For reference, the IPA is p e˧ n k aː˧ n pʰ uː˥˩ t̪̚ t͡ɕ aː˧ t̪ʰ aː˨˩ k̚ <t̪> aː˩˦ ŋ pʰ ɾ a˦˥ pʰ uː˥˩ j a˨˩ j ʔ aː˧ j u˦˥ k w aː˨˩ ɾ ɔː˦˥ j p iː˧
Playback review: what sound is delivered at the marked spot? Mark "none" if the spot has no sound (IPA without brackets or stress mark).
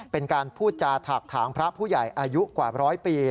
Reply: t̪ʰ